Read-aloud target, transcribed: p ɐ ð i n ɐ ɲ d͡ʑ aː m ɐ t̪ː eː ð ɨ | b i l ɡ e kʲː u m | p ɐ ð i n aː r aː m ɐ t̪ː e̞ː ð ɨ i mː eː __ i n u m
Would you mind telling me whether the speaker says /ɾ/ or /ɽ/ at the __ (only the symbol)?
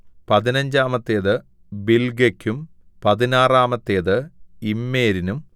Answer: ɾ